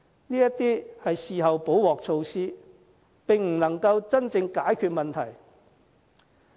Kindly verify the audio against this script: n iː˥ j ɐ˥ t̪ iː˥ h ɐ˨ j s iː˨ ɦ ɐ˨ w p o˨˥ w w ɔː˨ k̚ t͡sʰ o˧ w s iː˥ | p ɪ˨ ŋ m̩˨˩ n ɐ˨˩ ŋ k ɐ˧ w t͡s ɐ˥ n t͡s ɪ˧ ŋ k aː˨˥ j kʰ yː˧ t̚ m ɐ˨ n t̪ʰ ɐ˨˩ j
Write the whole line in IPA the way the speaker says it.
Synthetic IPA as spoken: n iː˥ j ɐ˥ t̪ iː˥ h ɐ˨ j s iː˨ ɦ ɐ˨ w p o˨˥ w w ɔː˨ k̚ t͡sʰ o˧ w s iː˥ | p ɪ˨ ŋ m̩˨˩ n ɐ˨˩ ŋ k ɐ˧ w t͡s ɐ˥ n t͡s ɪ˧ ŋ k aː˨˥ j kʰ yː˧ t̚ m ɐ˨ n t̪ʰ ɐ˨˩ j